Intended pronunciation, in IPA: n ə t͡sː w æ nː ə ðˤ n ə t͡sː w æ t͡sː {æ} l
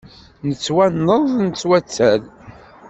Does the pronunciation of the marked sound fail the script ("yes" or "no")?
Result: no